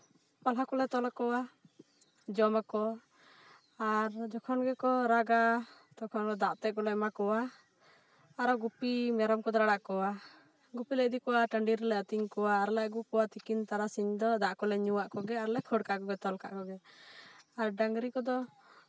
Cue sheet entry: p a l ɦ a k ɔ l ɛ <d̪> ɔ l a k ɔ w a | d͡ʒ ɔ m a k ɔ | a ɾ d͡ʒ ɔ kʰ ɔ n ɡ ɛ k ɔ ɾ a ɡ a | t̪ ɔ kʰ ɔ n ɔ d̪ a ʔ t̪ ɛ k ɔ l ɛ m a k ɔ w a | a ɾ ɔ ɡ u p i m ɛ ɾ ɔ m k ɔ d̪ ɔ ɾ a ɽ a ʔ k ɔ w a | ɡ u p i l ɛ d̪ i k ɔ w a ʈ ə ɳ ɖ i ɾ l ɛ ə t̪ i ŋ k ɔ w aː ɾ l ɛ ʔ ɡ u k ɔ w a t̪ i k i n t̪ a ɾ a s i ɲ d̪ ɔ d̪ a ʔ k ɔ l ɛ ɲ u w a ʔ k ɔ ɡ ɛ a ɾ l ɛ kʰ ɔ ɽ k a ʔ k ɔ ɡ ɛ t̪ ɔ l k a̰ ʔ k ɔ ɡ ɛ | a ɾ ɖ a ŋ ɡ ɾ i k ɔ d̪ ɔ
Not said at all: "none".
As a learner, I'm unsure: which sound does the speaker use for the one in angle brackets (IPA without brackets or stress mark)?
t̪